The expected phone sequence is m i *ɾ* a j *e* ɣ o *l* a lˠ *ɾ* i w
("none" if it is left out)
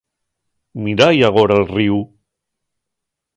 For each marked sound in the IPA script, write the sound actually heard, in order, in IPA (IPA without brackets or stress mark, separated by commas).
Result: ɾ, a, ɾ, r